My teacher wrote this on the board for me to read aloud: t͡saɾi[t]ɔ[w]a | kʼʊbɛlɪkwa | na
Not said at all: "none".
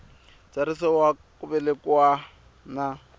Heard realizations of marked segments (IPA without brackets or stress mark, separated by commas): s, w